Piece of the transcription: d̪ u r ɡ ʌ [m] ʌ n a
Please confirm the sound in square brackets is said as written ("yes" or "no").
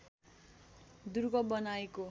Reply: no